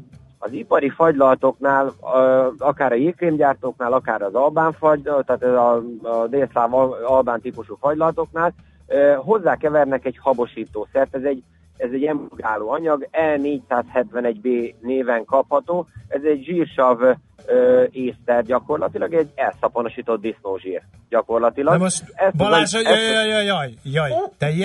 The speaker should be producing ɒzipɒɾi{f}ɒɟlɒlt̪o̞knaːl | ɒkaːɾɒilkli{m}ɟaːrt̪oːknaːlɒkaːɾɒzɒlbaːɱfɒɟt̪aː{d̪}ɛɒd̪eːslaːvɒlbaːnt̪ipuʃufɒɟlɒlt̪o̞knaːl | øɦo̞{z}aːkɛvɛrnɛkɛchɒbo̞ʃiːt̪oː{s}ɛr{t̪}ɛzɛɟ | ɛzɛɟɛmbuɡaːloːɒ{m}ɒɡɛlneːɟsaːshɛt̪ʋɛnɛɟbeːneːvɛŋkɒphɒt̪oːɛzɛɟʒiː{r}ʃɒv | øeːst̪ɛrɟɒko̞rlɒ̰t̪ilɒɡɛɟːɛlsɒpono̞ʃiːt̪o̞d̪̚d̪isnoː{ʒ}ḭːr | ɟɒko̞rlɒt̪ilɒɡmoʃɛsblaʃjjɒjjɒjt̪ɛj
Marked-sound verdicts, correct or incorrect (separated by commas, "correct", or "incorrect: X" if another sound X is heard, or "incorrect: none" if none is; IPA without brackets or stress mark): correct, correct, incorrect: t̪, incorrect: zː, correct, correct, incorrect: ɲ, correct, correct